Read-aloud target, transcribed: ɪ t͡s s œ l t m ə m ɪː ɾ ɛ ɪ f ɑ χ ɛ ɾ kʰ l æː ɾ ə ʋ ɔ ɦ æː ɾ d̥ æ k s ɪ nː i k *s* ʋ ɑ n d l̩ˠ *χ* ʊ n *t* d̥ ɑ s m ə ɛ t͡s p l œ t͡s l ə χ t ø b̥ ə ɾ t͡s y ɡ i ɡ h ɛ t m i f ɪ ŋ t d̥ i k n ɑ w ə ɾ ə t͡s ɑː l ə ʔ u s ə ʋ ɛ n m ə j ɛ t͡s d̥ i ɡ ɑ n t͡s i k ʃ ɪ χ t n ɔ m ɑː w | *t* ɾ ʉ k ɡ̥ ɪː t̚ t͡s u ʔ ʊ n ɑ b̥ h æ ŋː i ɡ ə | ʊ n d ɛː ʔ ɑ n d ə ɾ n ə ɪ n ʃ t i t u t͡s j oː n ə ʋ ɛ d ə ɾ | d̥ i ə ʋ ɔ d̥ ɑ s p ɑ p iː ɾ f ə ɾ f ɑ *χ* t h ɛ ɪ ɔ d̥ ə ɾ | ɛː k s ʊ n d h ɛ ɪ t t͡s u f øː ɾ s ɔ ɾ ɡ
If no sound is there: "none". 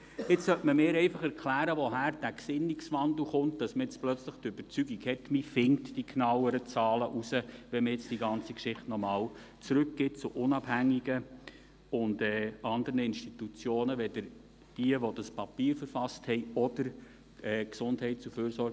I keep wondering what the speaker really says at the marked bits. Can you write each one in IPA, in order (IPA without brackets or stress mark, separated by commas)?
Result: s, χ, t, t͡s, s